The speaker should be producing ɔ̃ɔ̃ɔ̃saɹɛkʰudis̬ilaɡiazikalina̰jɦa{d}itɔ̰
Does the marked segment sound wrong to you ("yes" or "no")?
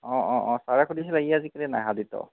no